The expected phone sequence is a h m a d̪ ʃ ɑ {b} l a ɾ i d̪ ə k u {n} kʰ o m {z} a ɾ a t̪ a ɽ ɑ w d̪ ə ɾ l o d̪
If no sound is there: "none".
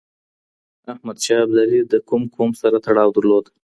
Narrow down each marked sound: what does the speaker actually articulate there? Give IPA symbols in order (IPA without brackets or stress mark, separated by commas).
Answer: b, m, s